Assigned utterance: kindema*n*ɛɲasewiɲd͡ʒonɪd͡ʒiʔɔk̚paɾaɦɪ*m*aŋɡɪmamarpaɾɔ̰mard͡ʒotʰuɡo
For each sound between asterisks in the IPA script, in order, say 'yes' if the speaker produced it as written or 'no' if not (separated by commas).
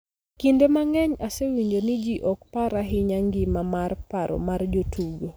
no, no